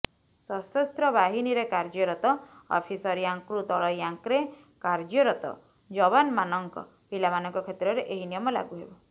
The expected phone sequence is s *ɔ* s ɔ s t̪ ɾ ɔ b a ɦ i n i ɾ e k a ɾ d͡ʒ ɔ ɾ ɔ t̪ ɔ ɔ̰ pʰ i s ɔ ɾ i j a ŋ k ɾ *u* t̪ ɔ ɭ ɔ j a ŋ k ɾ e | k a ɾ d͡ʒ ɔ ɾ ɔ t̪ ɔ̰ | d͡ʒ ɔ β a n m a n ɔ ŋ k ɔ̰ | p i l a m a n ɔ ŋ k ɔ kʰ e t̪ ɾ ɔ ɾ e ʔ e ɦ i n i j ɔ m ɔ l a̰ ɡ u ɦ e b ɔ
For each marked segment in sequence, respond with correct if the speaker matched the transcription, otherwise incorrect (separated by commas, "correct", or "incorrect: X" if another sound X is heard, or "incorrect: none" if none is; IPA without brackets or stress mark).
correct, correct